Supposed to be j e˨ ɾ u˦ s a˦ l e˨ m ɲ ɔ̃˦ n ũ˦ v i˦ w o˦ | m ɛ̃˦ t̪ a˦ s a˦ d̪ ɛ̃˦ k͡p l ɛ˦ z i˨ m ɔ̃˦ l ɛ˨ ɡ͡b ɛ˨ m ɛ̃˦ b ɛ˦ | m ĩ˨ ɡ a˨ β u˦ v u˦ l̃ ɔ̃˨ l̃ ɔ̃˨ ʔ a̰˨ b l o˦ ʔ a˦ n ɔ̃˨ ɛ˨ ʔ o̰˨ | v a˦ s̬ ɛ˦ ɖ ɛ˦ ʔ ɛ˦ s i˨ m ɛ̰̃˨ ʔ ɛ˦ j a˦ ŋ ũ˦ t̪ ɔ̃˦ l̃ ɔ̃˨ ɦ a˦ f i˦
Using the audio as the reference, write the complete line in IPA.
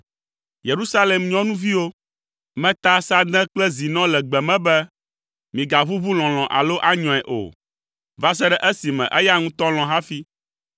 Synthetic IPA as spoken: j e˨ ɾ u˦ s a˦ l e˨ m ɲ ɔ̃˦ n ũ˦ v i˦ w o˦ | m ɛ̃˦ t̪ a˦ s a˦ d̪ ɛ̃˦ k͡p l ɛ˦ z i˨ n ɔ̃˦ l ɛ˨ ɡ͡b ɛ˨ m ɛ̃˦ b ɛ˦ | m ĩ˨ ɡ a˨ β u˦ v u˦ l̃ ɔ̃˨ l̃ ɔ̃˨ ʔ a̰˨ l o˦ ʔ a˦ ɲ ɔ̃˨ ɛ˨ ʔ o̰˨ | v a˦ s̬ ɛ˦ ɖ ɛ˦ ʔ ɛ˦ s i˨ m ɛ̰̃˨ ʔ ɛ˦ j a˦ ŋ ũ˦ t̪ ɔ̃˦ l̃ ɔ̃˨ ɦ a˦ f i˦